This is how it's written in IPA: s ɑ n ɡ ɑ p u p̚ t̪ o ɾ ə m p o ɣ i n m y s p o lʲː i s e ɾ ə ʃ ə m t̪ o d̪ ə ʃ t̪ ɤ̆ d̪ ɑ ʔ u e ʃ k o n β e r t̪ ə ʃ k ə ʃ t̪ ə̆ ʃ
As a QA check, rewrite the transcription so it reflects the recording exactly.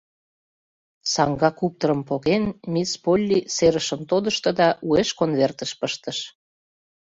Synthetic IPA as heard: s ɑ ŋ ɡ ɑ k u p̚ t̪ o ɾ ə m p o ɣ e n m i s p o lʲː i s e ɾ ə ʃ ə m t̪ o d̪ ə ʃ t̪ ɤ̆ d̪ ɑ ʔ u e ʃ k o n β e r t̪ ə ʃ p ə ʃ t̪ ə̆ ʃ